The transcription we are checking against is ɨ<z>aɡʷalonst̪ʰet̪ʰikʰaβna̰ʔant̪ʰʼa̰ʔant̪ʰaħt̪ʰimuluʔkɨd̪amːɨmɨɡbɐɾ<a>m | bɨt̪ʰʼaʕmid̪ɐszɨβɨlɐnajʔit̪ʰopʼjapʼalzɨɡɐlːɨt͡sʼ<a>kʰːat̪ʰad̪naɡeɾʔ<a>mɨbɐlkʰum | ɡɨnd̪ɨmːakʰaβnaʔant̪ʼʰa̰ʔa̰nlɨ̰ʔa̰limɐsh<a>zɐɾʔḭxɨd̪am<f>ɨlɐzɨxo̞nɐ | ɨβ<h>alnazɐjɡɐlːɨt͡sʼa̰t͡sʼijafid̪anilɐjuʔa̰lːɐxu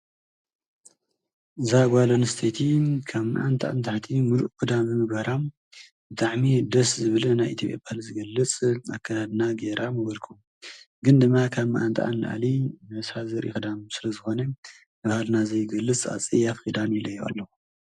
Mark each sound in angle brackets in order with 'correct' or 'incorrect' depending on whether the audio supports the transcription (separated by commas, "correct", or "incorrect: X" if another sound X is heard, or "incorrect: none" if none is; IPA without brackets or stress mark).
correct, correct, correct, correct, correct, incorrect: s, correct